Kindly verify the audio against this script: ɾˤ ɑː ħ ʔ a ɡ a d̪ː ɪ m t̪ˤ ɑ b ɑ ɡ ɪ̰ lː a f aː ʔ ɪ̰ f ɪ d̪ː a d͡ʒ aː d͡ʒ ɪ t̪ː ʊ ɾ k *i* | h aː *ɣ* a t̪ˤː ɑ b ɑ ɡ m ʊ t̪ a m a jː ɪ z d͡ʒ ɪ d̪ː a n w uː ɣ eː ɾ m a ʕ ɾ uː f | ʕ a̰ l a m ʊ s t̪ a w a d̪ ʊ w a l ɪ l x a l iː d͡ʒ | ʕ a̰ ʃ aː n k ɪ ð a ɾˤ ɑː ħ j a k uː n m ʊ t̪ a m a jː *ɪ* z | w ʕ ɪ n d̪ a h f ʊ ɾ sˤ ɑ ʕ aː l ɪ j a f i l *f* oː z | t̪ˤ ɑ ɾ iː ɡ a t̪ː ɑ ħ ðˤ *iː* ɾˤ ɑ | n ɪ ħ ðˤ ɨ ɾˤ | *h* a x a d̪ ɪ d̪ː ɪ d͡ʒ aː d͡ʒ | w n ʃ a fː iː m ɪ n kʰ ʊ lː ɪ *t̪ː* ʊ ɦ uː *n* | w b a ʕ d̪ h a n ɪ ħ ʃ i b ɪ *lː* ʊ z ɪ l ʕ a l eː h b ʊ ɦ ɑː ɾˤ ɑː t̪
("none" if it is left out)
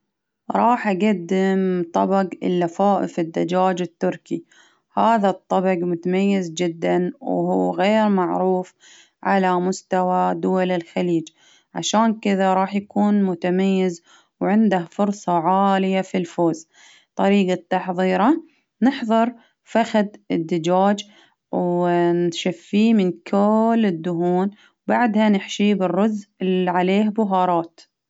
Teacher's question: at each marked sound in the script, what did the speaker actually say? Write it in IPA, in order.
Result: i, ð, ɪ, f, iː, f, d̪ː, n, rː

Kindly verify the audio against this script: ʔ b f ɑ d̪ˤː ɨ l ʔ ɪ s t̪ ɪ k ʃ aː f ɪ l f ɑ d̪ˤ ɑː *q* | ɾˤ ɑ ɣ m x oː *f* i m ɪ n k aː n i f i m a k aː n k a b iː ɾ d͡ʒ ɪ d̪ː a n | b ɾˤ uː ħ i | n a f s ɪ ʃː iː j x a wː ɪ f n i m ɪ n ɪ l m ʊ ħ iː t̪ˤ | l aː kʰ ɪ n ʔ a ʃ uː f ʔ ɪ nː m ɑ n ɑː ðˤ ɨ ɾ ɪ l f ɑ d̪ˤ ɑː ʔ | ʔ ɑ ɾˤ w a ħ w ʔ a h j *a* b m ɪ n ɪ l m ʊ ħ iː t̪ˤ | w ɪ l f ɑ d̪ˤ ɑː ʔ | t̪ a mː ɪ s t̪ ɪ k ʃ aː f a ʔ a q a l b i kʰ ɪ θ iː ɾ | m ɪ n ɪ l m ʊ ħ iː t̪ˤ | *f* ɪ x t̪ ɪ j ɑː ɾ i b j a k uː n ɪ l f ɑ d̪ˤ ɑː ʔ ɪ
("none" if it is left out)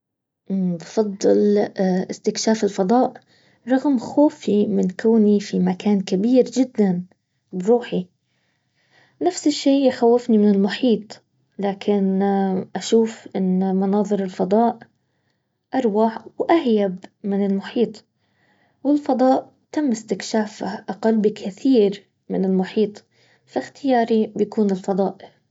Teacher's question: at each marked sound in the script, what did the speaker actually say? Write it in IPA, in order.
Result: ʔ, f, a, f

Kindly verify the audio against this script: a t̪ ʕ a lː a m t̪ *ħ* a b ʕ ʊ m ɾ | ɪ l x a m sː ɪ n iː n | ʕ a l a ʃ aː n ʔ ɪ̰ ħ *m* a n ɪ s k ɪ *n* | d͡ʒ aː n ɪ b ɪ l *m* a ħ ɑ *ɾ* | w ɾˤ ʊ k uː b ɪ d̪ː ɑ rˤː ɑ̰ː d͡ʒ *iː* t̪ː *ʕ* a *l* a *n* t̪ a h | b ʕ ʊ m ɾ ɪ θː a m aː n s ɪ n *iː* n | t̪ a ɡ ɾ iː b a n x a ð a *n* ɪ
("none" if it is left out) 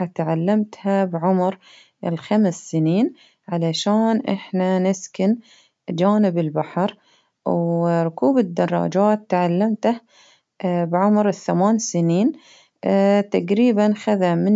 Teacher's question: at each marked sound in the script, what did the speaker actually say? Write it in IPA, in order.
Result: h, n, n, b, ɾ, aː, ʕ, lː, m, iː, m

